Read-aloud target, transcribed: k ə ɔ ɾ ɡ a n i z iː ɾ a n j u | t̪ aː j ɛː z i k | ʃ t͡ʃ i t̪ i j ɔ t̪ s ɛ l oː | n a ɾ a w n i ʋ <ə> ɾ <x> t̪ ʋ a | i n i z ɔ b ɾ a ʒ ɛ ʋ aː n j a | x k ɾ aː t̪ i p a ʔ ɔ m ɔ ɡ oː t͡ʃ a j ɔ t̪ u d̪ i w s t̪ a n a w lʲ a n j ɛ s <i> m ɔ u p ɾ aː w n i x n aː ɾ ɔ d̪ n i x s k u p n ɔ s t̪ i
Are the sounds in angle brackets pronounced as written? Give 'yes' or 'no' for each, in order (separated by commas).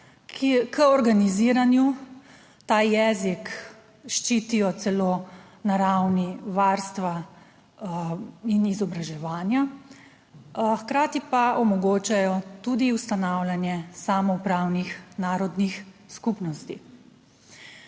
no, no, no